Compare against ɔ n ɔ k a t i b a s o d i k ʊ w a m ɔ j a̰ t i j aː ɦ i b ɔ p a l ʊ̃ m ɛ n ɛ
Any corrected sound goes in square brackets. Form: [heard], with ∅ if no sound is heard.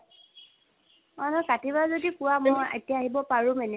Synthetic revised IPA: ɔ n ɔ k a t i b a [z] o d i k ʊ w a m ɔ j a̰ t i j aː ɦ i b ɔ p a [ɹ] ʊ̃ m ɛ n ɛ